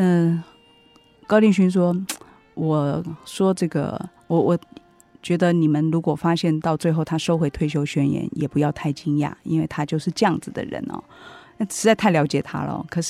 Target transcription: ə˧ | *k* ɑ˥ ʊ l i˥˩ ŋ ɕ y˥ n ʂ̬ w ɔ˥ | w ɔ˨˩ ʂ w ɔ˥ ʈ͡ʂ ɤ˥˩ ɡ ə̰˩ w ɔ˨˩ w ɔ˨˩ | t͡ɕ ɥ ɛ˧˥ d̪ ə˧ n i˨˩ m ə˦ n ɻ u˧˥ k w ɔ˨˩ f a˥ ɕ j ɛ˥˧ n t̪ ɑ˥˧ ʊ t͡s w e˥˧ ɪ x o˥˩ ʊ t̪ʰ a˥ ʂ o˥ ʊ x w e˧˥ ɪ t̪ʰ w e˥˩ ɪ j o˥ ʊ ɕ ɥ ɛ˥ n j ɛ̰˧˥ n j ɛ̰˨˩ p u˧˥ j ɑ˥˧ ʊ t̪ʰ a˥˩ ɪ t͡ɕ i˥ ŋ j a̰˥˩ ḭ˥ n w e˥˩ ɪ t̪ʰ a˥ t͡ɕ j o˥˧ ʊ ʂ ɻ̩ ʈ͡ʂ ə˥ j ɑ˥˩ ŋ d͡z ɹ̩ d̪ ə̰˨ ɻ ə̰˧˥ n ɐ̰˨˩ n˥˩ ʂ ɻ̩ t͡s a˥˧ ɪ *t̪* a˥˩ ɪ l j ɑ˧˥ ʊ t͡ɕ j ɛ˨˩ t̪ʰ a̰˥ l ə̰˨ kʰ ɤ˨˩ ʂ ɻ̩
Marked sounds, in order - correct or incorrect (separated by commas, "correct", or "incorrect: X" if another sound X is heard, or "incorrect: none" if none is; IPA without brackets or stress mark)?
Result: correct, incorrect: t̪ʰ